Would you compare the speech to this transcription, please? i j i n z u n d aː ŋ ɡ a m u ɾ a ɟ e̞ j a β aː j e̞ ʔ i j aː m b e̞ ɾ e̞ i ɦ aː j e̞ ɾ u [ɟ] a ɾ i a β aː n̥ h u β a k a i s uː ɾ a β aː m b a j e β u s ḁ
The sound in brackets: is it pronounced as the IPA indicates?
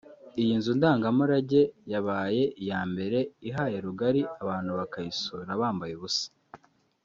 no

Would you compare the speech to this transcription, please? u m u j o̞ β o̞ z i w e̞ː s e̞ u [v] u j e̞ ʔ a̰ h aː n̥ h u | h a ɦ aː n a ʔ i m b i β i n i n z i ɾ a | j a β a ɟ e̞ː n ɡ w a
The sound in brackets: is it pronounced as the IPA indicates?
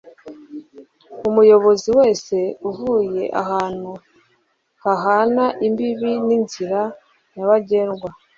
yes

